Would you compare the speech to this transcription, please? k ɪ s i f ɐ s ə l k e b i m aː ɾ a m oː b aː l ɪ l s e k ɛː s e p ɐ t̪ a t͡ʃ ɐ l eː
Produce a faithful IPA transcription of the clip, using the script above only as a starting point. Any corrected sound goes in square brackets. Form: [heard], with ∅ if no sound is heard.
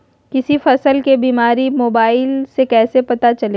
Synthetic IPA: k ɪ s i f ɐ s ə l k e b [iː] m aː ɾ [i] m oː b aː [∅] ɪ l s e k ɛː s e p ɐ t̪ a t͡ʃ ɐ l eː